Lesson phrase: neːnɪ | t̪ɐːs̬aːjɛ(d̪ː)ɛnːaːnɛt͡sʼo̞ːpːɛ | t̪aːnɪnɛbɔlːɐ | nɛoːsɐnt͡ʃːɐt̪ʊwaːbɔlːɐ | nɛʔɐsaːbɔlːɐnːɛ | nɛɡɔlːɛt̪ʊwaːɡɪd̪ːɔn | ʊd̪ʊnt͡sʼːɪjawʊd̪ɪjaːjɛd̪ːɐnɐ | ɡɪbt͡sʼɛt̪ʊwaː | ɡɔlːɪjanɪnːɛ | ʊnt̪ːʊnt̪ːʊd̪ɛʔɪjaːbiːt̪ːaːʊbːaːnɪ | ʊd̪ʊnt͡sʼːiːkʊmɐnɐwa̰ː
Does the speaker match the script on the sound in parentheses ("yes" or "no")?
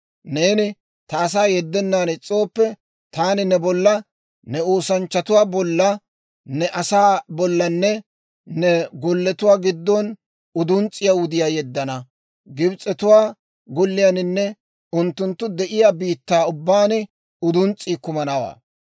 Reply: yes